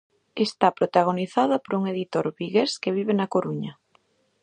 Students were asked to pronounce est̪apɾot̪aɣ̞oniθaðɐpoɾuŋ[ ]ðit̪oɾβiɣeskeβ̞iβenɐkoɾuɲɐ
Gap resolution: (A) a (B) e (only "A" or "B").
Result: B